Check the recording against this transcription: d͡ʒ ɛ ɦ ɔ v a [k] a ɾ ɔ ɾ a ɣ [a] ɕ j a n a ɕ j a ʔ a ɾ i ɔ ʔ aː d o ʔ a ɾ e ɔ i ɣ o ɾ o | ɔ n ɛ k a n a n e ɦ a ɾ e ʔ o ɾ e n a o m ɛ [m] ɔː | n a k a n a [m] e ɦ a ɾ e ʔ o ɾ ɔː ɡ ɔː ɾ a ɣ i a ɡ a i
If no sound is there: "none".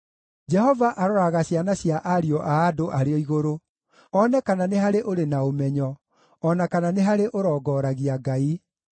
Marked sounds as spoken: ʔ, a, ɲ, n

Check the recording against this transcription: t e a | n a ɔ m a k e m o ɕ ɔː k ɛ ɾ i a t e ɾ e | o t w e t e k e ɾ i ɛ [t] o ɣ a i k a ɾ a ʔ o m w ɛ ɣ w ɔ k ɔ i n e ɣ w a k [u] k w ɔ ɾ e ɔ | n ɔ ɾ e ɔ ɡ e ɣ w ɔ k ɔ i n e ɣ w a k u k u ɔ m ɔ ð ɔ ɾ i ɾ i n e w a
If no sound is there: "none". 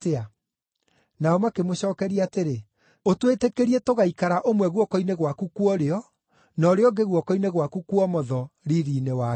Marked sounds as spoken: t, u

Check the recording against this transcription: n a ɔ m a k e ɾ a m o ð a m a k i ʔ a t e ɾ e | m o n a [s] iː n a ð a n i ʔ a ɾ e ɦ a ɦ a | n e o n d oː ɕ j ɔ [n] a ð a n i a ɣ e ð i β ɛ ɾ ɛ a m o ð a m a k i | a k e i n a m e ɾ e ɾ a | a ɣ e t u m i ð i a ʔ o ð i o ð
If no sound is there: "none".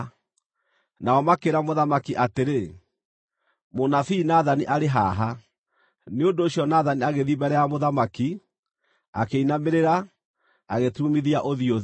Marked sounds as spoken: f, n

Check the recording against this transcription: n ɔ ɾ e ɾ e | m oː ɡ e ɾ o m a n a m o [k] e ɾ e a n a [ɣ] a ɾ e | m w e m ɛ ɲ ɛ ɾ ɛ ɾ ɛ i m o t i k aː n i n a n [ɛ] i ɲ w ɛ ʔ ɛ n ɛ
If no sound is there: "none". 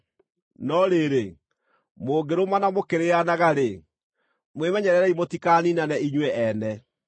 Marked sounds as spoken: k, ɣ, ɛ

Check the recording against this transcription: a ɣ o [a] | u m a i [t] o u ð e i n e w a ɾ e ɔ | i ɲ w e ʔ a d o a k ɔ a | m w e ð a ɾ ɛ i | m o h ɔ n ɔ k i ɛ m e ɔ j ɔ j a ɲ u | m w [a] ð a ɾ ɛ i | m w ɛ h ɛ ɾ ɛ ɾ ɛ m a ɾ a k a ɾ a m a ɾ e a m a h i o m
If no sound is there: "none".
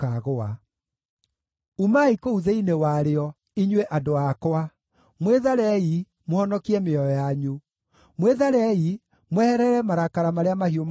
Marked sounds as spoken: a, k, e

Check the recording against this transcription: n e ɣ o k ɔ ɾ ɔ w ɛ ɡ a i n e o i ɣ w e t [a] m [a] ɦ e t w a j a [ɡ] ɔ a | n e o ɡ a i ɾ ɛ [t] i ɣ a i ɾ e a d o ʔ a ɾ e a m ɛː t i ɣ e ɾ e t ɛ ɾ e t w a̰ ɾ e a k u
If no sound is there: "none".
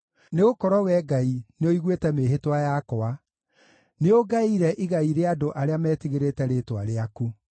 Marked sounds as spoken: ɛ, e, k, ʔ

